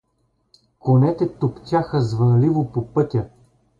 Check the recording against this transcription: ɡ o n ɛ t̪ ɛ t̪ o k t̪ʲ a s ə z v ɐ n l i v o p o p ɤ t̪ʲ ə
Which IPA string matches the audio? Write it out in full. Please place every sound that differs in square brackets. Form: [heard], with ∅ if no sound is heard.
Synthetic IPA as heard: [k] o n ɛ t̪ ɛ t̪ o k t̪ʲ a [x] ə z v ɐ n l i v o p o p ɤ t̪ʲ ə